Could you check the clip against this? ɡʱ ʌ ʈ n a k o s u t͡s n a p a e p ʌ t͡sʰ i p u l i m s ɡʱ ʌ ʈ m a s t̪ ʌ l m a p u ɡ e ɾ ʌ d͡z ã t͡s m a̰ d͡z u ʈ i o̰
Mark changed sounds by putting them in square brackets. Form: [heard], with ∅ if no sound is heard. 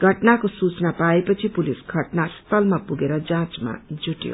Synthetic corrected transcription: ɡʱ ʌ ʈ n a k o s u t͡s n a p a e p ʌ t͡sʰ i p u l i [∅] s ɡʱ ʌ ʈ [n] a s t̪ ʌ l m a p u ɡ e ɾ ʌ d͡z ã t͡s m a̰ d͡z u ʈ [j] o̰

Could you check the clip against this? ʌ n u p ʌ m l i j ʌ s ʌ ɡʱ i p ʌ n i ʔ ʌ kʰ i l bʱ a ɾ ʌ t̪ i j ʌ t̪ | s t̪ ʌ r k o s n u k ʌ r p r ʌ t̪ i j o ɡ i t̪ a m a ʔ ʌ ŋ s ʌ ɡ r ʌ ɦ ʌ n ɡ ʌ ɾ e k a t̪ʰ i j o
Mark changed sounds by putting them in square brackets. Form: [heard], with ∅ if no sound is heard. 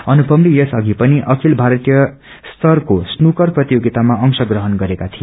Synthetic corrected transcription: ʌ n u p ʌ m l i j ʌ s ʌ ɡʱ i p ʌ n i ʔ ʌ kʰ i l bʱ a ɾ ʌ t̪ i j ʌ [∅] | s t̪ ʌ r k o s n u k ʌ r p r ʌ t̪ i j o ɡ i t̪ a m a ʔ ʌ ŋ s ʌ ɡ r ʌ ɦ ʌ n ɡ ʌ ɾ e k a t̪ʰ i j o

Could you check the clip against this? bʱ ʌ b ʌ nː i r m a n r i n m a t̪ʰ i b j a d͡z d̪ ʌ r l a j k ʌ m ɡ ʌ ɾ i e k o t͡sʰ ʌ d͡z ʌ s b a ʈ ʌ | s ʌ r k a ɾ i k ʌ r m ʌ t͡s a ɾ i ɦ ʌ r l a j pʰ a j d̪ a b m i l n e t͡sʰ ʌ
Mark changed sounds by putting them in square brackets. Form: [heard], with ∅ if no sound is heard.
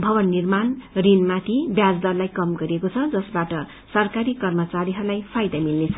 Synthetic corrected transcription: bʱ ʌ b ʌ nː i r m a n r i n m a t̪ʰ i b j a d͡z d̪ ʌ r l a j k ʌ m ɡ ʌ ɾ i e k o t͡sʰ ʌ d͡z ʌ s b a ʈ ʌ | s ʌ r k a ɾ i k ʌ r m ʌ t͡s a ɾ i ɦ ʌ r l a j pʰ a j d̪ a [∅] m i l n e t͡sʰ ʌ

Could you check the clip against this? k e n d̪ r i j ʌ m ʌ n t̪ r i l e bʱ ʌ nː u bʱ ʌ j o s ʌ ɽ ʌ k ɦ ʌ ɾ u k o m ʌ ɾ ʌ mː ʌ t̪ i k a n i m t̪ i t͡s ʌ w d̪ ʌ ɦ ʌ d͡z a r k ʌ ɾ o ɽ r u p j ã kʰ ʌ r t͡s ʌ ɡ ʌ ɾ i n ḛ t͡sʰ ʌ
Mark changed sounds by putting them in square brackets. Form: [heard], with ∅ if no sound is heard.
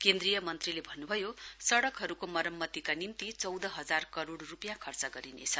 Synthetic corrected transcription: k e n d̪ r i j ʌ m ʌ n t̪ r i l e bʱ ʌ nː u bʱ ʌ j o s ʌ ɽ ʌ k ɦ ʌ ɾ u k o m ʌ ɾ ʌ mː ʌ t̪ i k a n i m t̪ i t͡s ʌ w d̪ ʌ ɦ ʌ d͡z a r k ʌ ɾ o ɽ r u p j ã kʰ ʌ r t͡s ʌ ɡ ʌ ɾ i n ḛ t͡sʰ ʌ

